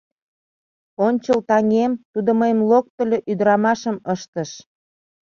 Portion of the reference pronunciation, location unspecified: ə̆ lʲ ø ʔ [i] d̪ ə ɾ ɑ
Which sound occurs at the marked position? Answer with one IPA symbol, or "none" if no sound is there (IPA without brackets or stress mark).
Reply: y